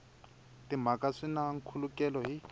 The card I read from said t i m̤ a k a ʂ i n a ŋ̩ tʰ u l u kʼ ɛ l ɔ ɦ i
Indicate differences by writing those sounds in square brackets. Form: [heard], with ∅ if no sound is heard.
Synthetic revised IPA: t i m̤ a k a ʂ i n a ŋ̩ [kʰ] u l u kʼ ɛ l ɔ ɦ i